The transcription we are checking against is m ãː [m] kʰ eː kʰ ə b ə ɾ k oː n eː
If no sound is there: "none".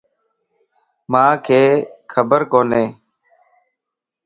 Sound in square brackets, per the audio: none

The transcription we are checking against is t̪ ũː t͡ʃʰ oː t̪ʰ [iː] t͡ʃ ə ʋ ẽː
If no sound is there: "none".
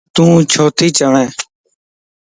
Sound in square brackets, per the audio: iː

